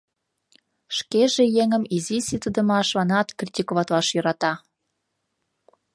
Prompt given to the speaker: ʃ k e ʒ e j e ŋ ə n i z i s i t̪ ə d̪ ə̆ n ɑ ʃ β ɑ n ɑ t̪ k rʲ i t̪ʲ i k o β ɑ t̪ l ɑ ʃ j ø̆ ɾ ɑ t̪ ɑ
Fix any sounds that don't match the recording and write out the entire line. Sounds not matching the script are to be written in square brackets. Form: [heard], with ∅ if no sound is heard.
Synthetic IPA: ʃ k e ʒ e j e ŋ ə [m] i z i s i t̪ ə d̪ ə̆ [m] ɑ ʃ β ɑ n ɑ t̪ k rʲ i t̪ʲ i k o β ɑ t̪ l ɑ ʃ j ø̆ ɾ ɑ t̪ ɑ